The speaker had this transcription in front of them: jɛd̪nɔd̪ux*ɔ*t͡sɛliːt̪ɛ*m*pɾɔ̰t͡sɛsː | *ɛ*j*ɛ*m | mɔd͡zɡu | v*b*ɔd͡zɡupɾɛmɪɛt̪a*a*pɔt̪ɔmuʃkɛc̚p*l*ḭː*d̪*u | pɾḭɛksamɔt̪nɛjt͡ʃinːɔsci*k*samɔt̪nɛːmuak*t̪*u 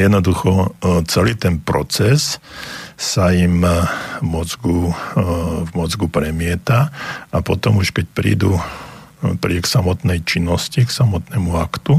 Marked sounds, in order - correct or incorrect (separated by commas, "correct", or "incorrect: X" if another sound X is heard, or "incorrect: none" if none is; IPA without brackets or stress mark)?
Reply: correct, incorrect: n, incorrect: a, incorrect: i, incorrect: m, correct, incorrect: ɾ, correct, correct, correct